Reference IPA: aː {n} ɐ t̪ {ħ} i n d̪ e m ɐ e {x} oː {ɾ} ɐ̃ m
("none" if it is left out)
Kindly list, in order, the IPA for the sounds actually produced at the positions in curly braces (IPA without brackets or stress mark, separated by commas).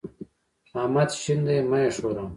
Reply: m, ɕ, ʂ, ɾ